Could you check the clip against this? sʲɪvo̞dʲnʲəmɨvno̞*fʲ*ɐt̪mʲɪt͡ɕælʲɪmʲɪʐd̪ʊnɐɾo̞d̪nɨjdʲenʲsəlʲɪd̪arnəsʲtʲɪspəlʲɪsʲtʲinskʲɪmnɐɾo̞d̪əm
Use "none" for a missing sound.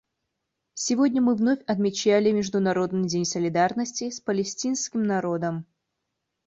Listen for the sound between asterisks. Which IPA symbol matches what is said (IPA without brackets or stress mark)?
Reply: fʲ